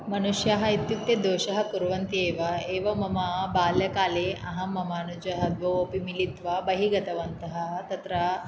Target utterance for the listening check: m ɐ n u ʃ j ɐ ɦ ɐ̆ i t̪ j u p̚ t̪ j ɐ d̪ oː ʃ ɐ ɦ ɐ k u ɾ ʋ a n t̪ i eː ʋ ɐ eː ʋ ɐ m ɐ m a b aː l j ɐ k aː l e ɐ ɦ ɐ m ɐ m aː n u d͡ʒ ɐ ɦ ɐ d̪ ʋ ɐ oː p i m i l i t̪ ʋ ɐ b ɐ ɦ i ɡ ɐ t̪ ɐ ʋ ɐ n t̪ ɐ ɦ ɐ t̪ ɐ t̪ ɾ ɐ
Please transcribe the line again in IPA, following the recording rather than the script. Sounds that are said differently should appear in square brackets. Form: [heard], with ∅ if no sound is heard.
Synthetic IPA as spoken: m ɐ n u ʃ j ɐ ɦ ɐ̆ i t̪ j u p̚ t̪ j ɐ d̪ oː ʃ ɐ ɦ ɐ k u ɾ ʋ [ɐ] n t̪ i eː ʋ ɐ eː ʋ ɐ m ɐ m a b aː l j ɐ k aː l e ɐ ɦ ɐ m ɐ m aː n u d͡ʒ ɐ ɦ ɐ d̪ ʋ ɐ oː p i m i l i t̪ ʋ ɐ b ɐ ɦ i ɡ ɐ t̪ ɐ ʋ ɐ n t̪ ɐ ɦ ɐ t̪ ɐ t̪ ɾ ɐ

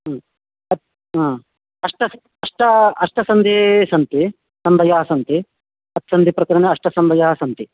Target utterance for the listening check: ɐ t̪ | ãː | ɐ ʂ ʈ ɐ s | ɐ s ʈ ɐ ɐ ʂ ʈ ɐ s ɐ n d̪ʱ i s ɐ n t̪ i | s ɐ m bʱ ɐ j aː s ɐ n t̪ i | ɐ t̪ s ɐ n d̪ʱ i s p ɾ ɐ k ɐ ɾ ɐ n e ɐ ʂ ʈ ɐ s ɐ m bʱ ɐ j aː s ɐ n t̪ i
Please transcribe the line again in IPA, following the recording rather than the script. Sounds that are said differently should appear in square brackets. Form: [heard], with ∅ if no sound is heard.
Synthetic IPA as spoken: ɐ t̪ | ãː | ɐ ʂ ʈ ɐ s | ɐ [ʂ] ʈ ɐ ɐ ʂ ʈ ɐ s ɐ n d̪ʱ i s ɐ n t̪ i | s ɐ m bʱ ɐ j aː s ɐ n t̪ i | ɐ t̪ s ɐ n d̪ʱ i [∅] p ɾ ɐ k ɐ ɾ ɐ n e ɐ ʂ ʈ ɐ s ɐ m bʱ ɐ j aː s ɐ n t̪ i

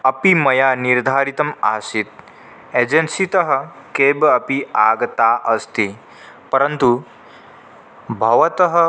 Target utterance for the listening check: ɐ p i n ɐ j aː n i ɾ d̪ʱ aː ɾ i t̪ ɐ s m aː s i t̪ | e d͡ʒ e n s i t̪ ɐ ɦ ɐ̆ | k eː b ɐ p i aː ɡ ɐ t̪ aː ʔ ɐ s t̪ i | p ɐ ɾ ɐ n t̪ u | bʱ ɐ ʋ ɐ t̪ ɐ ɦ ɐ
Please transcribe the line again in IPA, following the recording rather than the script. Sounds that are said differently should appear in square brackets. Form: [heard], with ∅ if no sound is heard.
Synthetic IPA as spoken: ɐ p i [m] ɐ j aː n i ɾ d̪ʱ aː ɾ i t̪ ɐ [∅] m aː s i t̪ | e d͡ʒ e n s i t̪ ɐ ɦ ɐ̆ | k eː b ɐ p i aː ɡ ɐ t̪ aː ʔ ɐ s t̪ i | p ɐ ɾ ɐ n t̪ u | bʱ ɐ ʋ ɐ t̪ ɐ ɦ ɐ

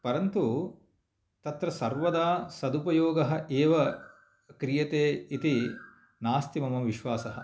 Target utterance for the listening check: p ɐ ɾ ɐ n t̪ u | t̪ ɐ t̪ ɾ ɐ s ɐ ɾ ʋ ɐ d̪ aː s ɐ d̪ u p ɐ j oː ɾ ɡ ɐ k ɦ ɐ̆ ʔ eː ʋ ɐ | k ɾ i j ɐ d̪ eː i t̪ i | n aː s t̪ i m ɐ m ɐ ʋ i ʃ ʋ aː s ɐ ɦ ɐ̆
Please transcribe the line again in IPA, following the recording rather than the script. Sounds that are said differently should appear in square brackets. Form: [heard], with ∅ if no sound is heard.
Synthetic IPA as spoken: p ɐ ɾ ɐ n t̪ u | t̪ ɐ t̪ ɾ ɐ s ɐ ɾ ʋ ɐ d̪ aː s ɐ d̪ u p ɐ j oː [∅] ɡ ɐ [∅] ɦ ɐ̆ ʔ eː ʋ ɐ | k ɾ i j ɐ [t̪] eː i t̪ i | n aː s t̪ i m ɐ m ɐ ʋ i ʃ ʋ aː s ɐ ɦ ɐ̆

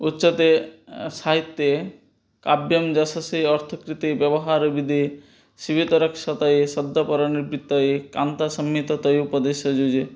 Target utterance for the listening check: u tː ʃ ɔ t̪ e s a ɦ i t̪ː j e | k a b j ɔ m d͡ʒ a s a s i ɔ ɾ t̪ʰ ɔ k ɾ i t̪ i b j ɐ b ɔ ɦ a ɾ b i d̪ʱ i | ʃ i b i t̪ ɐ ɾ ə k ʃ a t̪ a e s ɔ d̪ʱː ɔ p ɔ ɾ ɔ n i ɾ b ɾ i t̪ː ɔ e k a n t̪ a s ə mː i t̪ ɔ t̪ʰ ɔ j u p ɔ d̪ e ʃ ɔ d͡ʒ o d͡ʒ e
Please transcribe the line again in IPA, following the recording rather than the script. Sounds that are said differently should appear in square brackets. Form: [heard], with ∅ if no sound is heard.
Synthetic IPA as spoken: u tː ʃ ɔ t̪ e s a ɦ i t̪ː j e | k a b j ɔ m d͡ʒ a s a s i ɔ ɾ t̪ʰ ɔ k ɾ i t̪ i b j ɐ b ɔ ɦ a ɾ b i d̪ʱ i | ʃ i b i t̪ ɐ ɾ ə k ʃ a t̪ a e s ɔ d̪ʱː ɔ p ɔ ɾ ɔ n i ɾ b ɾ i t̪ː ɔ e k a n t̪ a s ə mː i t̪ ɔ [t̪] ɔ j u p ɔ d̪ e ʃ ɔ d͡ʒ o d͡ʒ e

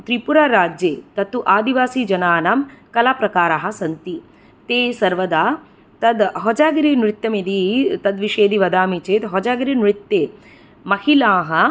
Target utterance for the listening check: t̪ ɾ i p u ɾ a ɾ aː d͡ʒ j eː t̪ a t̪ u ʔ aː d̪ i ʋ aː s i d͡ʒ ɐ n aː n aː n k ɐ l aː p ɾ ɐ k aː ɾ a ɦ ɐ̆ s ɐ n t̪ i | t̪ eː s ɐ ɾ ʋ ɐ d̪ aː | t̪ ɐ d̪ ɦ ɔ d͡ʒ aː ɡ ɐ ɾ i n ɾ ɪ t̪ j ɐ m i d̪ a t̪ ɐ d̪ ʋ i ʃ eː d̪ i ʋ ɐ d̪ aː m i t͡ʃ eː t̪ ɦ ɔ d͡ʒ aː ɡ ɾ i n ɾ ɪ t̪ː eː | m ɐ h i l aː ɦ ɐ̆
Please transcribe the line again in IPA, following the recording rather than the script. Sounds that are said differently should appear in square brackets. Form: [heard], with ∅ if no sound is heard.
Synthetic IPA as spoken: t̪ ɾ i p u ɾ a ɾ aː d͡ʒ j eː t̪ [ɐ] t̪ u ʔ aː d̪ i ʋ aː s i d͡ʒ ɐ n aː n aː [m] k ɐ l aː p ɾ ɐ k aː ɾ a ɦ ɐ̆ s ɐ n t̪ i | t̪ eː s ɐ ɾ ʋ ɐ d̪ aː | t̪ ɐ d̪ ɦ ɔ d͡ʒ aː ɡ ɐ ɾ i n ɾ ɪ t̪ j ɐ m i d̪ [i] t̪ ɐ d̪ ʋ i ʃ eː d̪ i ʋ ɐ d̪ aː m i t͡ʃ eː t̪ ɦ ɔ d͡ʒ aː ɡ ɾ i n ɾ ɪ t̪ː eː | m ɐ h i l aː ɦ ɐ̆

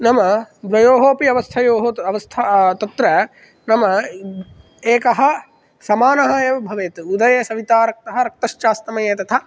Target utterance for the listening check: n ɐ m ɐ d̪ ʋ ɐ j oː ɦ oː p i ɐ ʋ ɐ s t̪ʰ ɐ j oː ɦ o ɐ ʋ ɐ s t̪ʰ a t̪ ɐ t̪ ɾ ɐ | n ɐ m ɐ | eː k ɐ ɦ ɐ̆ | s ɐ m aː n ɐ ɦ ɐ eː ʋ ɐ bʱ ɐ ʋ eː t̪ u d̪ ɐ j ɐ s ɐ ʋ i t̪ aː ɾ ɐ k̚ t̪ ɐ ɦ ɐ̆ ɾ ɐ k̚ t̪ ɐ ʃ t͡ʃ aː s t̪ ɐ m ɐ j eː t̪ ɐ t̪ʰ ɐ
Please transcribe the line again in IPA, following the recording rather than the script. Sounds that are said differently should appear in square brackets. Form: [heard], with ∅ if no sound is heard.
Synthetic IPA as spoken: n ɐ m ɐ d̪ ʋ ɐ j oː ɦ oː p i ɐ ʋ ɐ s t̪ʰ ɐ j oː ɦ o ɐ ʋ ɐ s t̪ʰ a t̪ ɐ t̪ ɾ ɐ | n ɐ m ɐ | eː k ɐ ɦ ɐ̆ | s ɐ m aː n ɐ ɦ ɐ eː ʋ ɐ bʱ ɐ ʋ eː t̪ u d̪ ɐ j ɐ s ɐ ʋ i t̪ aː ɾ ɐ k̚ t̪ ɐ ɦ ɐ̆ ɾ ɐ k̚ t̪ ɐ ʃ t͡ʃ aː s t̪ ɐ m ɐ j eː t̪ ɐ t̪ʰ ɐ

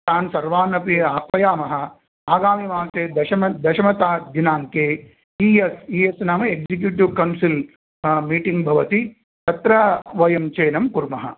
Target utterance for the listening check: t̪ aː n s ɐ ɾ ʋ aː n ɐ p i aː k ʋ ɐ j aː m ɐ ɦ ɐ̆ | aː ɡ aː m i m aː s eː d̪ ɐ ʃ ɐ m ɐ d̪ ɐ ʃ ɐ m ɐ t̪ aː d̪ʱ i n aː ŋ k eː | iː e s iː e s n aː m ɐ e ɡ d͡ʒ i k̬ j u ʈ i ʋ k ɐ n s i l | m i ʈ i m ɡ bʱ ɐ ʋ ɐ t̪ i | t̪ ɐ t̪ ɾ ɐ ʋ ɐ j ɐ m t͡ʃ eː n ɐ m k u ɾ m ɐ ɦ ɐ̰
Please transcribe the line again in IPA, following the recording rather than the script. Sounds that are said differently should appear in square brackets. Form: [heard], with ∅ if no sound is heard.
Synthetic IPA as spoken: t̪ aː n s ɐ ɾ ʋ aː n ɐ p i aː k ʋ ɐ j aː m ɐ ɦ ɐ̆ | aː ɡ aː m i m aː s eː d̪ ɐ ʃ ɐ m ɐ d̪ ɐ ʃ ɐ m ɐ t̪ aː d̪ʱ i n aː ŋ k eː | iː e s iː e s n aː m ɐ e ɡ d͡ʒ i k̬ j u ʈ i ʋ k ɐ n s i l | m [iː] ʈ i [ŋ] ɡ bʱ ɐ ʋ ɐ t̪ i | t̪ ɐ t̪ ɾ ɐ ʋ ɐ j ɐ m t͡ʃ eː n ɐ m k u ɾ m ɐ ɦ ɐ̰

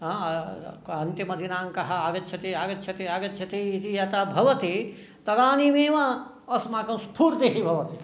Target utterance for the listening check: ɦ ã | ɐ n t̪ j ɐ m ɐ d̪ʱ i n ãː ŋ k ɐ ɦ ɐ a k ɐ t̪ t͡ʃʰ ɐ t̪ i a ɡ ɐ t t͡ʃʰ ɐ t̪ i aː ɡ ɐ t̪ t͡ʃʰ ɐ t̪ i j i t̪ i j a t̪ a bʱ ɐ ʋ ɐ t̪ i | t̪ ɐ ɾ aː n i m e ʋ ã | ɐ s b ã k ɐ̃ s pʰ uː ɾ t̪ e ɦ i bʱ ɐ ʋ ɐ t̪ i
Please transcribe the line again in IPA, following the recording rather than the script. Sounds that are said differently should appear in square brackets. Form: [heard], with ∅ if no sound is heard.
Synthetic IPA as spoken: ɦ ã | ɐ n t̪ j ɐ m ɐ d̪ʱ i n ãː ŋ k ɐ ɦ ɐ a [ɡ] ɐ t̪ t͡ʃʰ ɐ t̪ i a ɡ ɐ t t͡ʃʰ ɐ t̪ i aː ɡ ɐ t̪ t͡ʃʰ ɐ t̪ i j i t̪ i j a t̪ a bʱ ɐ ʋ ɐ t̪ i | t̪ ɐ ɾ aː n i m e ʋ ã | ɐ s [m] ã k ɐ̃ s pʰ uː ɾ t̪ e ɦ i bʱ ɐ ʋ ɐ t̪ i

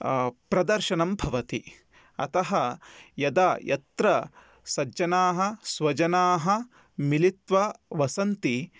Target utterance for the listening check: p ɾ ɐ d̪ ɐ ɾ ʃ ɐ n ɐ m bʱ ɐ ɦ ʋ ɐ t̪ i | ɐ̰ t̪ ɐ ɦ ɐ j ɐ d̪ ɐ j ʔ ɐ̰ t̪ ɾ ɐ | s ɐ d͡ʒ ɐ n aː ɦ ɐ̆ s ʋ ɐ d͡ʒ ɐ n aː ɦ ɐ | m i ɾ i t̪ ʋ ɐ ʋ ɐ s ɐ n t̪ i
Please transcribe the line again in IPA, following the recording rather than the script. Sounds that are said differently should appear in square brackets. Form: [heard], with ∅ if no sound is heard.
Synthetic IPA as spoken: p ɾ ɐ d̪ ɐ ɾ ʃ ɐ n ɐ m bʱ ɐ [∅] ʋ ɐ t̪ i | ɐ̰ t̪ ɐ ɦ ɐ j ɐ d̪ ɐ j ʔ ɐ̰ t̪ ɾ ɐ | s ɐ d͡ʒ ɐ n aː ɦ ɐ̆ s ʋ ɐ d͡ʒ ɐ n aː ɦ ɐ | m i [l] i t̪ ʋ ɐ ʋ ɐ s ɐ n t̪ i

